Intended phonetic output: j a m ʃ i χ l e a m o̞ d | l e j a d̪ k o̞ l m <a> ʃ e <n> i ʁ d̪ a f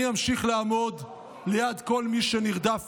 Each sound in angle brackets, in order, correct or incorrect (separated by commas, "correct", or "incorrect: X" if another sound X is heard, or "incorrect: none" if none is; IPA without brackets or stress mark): incorrect: i, correct